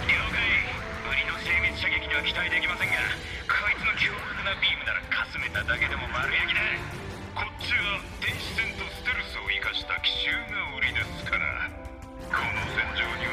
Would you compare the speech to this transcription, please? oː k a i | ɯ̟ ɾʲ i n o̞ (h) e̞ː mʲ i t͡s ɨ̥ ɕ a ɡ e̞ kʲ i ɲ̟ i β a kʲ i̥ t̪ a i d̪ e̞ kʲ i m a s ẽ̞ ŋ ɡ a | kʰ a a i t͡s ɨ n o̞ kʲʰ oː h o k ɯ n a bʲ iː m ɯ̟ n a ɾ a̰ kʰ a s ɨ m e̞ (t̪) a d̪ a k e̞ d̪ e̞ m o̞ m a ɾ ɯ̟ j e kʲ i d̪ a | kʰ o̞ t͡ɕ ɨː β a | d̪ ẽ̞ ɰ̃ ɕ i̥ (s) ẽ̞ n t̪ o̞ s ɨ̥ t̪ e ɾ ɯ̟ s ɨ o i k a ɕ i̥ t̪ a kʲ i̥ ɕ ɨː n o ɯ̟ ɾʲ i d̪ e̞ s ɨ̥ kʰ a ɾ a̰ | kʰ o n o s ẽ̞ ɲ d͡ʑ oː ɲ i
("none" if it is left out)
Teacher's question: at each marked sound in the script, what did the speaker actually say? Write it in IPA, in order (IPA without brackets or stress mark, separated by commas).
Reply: s, t̪, s